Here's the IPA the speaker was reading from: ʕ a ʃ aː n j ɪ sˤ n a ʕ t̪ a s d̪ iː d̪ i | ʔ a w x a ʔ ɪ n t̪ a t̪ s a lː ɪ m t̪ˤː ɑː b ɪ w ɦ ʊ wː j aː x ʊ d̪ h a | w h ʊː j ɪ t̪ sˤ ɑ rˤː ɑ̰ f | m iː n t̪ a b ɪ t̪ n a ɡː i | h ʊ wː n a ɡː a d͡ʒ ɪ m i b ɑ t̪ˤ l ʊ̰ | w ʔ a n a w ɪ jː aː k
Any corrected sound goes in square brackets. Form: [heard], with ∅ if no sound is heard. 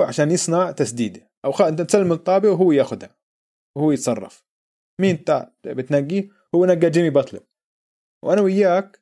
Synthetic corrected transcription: ʕ a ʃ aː n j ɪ sˤ n a ʕ t̪ a s d̪ iː d̪ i | ʔ a w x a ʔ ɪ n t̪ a t̪ s a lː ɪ m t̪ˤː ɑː b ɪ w ɦ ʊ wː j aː x ʊ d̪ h a | w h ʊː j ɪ t̪ sˤ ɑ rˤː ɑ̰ f | m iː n t̪ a b ɪ t̪ n a ɡː i | h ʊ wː n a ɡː a d͡ʒ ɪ m i b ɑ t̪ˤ l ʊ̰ | w ʔ a n a w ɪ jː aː k